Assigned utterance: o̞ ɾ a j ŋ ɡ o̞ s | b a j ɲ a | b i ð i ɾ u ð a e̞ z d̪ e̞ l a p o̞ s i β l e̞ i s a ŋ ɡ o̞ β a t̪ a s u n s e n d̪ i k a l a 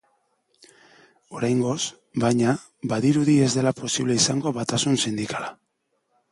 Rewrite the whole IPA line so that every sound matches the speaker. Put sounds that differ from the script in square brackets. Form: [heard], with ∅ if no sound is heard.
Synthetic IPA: o̞ ɾ a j ŋ ɡ o̞ s | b a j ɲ a | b [a] ð i ɾ u ð [i] e̞ z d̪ e̞ l a p o̞ s i β l e̞ i s a ŋ ɡ o̞ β a t̪ a s u n s [i] n d̪ i k a l a

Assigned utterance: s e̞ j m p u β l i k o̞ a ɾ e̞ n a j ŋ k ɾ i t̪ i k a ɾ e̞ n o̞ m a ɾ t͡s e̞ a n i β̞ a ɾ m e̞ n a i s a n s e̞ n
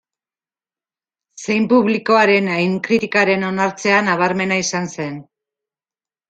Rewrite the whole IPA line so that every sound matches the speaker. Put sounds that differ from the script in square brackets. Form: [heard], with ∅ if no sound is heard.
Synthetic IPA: s e̞ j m p u β l i k o̞ a ɾ e̞ n a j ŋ k ɾ i t̪ i k a ɾ e̞ n o̞ [n] a ɾ t͡s e̞ a n [a] β̞ a ɾ m e̞ n a i s a n s e̞ n

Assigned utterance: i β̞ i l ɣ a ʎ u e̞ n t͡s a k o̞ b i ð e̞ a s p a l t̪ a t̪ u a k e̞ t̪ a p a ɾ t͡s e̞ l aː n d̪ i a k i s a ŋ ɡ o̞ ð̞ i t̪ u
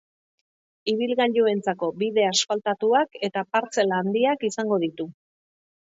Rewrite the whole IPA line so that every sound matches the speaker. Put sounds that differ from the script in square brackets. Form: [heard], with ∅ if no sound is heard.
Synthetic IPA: i β̞ i l ɣ a ʎ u e̞ n t͡s a k o̞ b i ð e̞ a s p a l t̪ a t̪ u a k e̞ t̪ a p a ɾ t͡s e̞ l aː n d̪ i a k i s a ŋ ɡ o̞ ð̞ i t̪ u

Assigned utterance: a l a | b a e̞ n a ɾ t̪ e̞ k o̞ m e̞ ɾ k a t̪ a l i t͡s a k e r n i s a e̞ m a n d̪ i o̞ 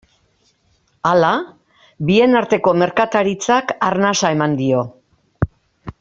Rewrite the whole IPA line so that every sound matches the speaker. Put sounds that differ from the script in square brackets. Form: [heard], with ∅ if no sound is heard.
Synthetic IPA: a l a | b [i] e̞ n a ɾ t̪ e̞ k o̞ m e̞ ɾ k a t̪ a [ɾ] i t͡s a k [a] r n [a] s a e̞ m a n d̪ i o̞

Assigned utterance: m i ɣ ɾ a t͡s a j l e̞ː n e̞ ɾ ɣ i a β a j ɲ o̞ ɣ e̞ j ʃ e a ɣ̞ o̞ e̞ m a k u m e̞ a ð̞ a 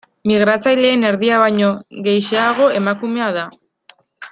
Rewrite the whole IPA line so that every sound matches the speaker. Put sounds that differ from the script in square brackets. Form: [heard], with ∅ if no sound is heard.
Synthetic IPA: m i ɣ ɾ a t͡s a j l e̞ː n e̞ ɾ [ð] i a β a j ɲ o̞ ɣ e̞ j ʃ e a ɣ̞ o̞ e̞ m a k u m e̞ a ð̞ a

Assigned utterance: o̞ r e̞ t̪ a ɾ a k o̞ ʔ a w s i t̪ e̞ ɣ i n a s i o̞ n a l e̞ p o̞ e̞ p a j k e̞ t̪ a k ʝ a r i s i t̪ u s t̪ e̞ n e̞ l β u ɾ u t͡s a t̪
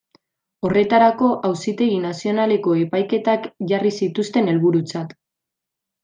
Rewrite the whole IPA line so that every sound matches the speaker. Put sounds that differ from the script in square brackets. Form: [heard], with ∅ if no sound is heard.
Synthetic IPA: o̞ r e̞ t̪ a ɾ a k o̞ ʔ a w s i t̪ e̞ ɣ i n a s i o̞ n a l e̞ [k] o̞ e̞ p a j k e̞ t̪ a k ʝ a r i s i t̪ u s t̪ e̞ n e̞ l β u ɾ u t͡s a t̪

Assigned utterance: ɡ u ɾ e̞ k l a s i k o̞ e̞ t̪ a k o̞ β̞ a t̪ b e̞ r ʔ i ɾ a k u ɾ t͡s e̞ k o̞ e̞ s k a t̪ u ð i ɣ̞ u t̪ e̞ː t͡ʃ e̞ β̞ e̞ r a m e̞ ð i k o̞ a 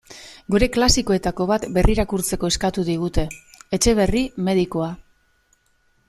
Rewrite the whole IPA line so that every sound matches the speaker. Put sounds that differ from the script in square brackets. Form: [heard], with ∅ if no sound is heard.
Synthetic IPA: ɡ u ɾ e̞ k l a s i k o̞ e̞ t̪ a k o̞ β̞ a t̪ b e̞ r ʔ i ɾ a k u ɾ t͡s e̞ k o̞ e̞ s k a t̪ u ð i ɣ̞ u t̪ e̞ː t͡ʃ e̞ β̞ e̞ r [i] m e̞ ð i k o̞ a

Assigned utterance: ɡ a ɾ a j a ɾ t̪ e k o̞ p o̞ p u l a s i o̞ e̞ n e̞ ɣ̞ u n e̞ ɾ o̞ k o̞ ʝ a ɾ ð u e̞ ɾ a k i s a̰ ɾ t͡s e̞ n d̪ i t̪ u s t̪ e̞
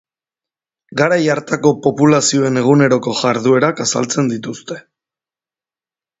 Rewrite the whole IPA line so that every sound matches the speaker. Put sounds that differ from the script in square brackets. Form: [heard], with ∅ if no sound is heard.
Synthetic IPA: ɡ a ɾ a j a ɾ t̪ [a] k o̞ p o̞ p u l a s i o̞ e̞ n e̞ ɣ̞ u n e̞ ɾ o̞ k o̞ ʝ a ɾ ð u e̞ ɾ a k [a] s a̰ [l] t͡s e̞ n d̪ i t̪ u s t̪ e̞

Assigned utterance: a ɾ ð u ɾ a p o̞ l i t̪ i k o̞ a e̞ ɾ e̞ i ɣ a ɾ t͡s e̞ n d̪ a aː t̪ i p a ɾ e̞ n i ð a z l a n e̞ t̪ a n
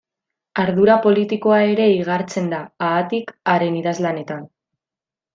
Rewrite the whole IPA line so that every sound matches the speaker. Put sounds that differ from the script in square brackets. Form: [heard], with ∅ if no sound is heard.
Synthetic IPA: a ɾ ð u ɾ a p o̞ l i t̪ i k o̞ a e̞ ɾ e̞ i ɣ a ɾ t͡s e̞ n d̪ a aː t̪ i [k] a ɾ e̞ n i ð a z l a n e̞ t̪ a n

